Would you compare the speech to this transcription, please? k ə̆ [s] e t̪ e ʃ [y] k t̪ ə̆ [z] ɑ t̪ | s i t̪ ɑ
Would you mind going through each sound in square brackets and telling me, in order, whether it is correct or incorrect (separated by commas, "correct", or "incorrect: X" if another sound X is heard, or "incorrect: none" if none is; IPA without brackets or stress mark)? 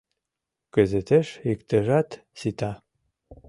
incorrect: z, incorrect: i, incorrect: ʒ